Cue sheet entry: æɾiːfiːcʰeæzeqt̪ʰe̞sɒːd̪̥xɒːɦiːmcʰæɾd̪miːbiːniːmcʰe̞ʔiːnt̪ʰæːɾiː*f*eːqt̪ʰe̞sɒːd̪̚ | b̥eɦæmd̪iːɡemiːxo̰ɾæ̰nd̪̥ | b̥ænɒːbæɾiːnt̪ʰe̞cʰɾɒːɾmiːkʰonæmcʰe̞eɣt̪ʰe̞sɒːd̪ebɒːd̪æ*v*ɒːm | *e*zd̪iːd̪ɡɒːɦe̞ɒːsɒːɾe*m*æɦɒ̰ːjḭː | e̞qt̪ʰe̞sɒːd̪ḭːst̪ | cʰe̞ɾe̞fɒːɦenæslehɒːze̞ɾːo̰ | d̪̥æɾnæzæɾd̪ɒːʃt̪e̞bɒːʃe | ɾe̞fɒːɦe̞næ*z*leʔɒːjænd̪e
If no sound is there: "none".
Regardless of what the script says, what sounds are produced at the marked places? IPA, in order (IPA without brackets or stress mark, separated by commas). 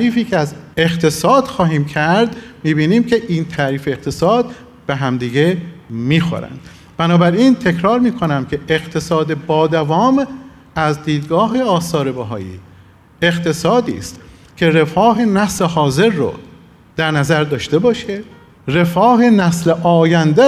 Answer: f, v, æ, b, s